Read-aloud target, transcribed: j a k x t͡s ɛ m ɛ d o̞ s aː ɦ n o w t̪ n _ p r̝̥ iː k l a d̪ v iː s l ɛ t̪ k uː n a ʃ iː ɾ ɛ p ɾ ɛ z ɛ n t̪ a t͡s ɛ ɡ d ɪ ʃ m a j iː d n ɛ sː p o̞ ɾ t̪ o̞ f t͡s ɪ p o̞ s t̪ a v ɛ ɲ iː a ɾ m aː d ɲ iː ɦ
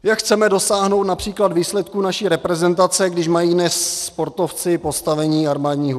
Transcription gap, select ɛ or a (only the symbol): a